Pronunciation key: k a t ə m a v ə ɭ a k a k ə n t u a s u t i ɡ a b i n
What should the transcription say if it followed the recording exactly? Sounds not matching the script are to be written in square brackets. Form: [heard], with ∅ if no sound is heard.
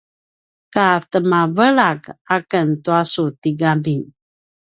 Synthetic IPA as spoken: k a t ə m a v ə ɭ a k a k ə n t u a s u t i ɡ a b i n